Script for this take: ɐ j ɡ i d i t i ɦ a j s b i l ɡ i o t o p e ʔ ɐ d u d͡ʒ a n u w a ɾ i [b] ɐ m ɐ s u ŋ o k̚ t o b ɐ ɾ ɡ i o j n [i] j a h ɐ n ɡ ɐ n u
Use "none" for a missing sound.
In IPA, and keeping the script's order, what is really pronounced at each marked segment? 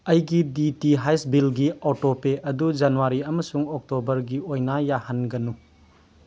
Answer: none, a

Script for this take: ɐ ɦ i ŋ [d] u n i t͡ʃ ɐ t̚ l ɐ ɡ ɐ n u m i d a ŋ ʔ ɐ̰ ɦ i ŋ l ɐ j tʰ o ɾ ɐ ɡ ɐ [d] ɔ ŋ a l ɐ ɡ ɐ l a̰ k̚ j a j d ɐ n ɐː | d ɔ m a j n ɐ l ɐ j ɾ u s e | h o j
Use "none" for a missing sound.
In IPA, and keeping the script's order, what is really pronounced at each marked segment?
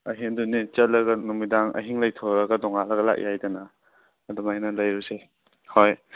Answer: d, d

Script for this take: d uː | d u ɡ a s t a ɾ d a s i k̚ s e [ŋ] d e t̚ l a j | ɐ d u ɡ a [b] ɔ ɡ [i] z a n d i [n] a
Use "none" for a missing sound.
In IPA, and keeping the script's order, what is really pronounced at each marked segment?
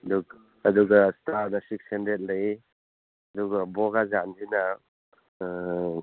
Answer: n, b, a, n

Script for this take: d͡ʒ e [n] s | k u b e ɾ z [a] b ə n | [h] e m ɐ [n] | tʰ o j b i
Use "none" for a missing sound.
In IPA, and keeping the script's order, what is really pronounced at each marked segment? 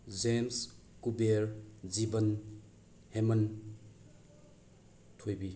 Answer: m, i, h, n

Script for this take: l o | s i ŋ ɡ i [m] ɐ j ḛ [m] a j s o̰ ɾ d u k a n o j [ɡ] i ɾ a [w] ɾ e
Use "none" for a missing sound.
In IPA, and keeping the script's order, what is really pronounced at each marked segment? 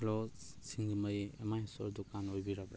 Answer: m, m, b, b

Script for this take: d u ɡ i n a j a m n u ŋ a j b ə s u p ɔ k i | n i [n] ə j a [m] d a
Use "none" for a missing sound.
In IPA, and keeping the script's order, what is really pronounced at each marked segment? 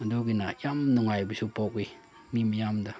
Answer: m, m

